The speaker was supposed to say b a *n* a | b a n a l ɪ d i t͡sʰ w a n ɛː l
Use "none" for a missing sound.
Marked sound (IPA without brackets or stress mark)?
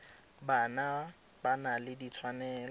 n